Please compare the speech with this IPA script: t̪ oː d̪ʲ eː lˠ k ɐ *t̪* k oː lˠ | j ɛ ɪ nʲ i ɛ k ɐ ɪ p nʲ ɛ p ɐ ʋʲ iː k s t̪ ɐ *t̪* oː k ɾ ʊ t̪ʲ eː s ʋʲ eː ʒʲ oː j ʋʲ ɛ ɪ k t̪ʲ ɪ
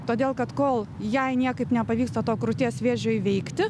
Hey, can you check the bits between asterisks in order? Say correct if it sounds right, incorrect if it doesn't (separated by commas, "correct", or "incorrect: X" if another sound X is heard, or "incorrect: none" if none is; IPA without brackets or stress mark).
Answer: correct, correct